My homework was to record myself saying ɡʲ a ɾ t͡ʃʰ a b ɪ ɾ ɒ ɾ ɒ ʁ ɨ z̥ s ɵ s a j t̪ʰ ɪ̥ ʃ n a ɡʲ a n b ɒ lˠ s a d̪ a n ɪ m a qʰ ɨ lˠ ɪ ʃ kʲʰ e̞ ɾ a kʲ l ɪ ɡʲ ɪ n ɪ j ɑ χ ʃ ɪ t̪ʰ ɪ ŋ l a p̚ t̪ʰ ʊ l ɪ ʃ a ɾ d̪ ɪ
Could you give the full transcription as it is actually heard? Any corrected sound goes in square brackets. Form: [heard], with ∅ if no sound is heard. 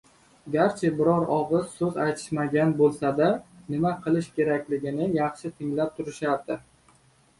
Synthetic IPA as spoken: ɡʲ a ɾ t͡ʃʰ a b ɪ ɾ ɒ ɾ ɒ ʁ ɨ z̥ s ɵ [z] a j t̪ʰ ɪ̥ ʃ [m] a ɡʲ a n b [o] lˠ s a d̪ a n ɪ m a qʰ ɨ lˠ ɪ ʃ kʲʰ e̞ ɾ a kʲ l ɪ ɡʲ ɪ n ɪ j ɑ χ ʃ ɪ t̪ʰ ɪ ŋ l a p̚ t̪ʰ ʊ [ɾ] ɪ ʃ a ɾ d̪ ɪ

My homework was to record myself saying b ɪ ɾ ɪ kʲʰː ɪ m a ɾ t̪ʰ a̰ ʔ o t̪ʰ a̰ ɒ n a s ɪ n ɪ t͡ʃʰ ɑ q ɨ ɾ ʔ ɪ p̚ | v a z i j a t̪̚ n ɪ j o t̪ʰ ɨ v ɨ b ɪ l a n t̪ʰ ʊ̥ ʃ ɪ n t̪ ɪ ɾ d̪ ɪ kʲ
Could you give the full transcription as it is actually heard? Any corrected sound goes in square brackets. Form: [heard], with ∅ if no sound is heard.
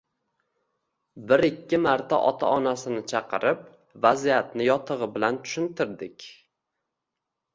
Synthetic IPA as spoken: b ɪ ɾ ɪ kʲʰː ɪ m a ɾ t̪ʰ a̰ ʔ [ɒ] t̪ʰ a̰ ɒ n a s ɪ n ɪ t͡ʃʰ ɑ q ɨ ɾ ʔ ɪ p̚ | v a z i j a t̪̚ n ɪ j [ɒ] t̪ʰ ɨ [ʁ] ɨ b ɪ l a n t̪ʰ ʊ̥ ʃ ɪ n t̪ ɪ ɾ d̪ ɪ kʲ

